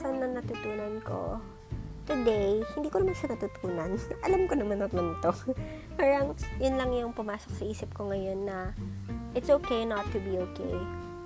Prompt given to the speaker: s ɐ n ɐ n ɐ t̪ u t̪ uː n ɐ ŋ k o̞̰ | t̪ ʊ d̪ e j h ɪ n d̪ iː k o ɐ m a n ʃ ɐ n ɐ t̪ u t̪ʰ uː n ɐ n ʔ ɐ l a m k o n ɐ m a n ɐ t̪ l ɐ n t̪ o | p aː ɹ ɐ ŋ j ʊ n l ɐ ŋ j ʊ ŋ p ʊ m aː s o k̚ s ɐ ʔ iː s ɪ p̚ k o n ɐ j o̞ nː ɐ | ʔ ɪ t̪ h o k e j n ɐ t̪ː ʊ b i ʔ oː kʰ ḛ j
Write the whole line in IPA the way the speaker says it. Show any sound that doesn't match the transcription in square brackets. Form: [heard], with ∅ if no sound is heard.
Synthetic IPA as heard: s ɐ n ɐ n ɐ t̪ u t̪ uː n ɐ [n] k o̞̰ | t̪ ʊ d̪ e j h ɪ n d̪ iː k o ɐ m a n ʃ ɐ n ɐ t̪ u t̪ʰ uː n ɐ n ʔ ɐ l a m k o n ɐ m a n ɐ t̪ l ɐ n t̪ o | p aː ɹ ɐ ŋ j ʊ n l ɐ ŋ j ʊ ŋ p ʊ m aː s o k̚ s ɐ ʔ iː s ɪ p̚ k o [ŋ] ɐ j o̞ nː ɐ | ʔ ɪ t̪ [s] o k e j n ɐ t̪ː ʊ b i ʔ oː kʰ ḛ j